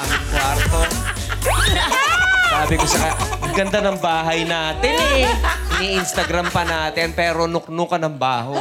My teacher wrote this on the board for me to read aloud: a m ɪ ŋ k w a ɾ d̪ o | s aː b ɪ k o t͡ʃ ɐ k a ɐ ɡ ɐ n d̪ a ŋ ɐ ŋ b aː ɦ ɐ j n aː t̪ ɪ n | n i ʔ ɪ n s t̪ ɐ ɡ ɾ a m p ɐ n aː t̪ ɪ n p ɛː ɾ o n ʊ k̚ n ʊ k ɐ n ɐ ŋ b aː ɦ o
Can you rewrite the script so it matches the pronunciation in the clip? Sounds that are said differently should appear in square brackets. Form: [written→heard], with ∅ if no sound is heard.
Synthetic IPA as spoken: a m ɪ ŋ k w a ɾ [d̪→t̪] o | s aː b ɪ k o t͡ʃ ɐ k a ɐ ɡ ɐ n d̪ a [ŋ→n] ɐ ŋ b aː ɦ ɐ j n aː t̪ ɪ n | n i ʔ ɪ n s t̪ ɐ ɡ ɾ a m p ɐ n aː t̪ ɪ n p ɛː ɾ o n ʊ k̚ n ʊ k ɐ n ɐ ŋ b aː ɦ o